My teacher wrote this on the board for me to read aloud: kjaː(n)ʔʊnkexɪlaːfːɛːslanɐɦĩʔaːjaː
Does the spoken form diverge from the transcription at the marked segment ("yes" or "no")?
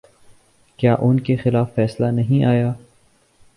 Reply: yes